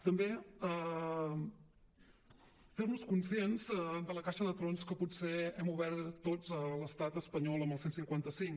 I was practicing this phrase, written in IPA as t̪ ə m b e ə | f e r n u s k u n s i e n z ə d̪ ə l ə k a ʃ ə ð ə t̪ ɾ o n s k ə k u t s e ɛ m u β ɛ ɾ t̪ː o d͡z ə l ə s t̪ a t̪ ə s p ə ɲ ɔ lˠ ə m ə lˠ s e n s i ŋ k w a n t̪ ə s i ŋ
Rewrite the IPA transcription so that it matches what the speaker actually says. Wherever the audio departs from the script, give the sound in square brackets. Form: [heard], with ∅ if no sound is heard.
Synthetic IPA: t̪ ə m b e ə | f e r n u s k u n s i e n z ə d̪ ə l ə k a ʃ ə ð ə t̪ ɾ o n s k ə [p] u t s e ɛ m u β ɛ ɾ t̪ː o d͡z ə l ə s t̪ a t̪ ə s p ə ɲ ɔ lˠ ə m ə lˠ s e n s i ŋ k w a n t̪ ə s i ŋ